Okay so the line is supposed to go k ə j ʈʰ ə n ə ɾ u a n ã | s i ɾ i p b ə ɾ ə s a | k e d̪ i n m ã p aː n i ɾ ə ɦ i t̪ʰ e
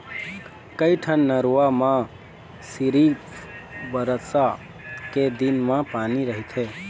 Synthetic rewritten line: k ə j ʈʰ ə nː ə ɾ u a m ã | s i ɾ i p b ə ɾ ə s a | k e d̪ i n m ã p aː n i ɾ ə ɦ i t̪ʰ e